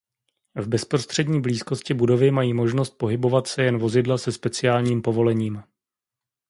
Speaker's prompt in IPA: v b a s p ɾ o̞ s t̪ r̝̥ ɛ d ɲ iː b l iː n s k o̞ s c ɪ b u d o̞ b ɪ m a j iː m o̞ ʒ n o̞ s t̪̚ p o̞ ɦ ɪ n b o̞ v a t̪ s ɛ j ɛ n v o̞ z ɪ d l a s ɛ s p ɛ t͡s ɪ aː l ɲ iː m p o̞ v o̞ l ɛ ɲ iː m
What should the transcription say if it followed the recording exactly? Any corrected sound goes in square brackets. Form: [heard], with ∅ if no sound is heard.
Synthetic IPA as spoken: v b [ɛ] s p ɾ o̞ s t̪ r̝̥ ɛ d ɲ iː b l iː [∅] s k o̞ s c ɪ b u d o̞ [v] ɪ m a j iː m o̞ ʒ n o̞ s t̪̚ p o̞ ɦ ɪ [∅] b o̞ v a t̪ s ɛ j ɛ n v o̞ z ɪ d l a s ɛ s p ɛ t͡s ɪ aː l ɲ iː m p o̞ v o̞ l ɛ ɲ iː m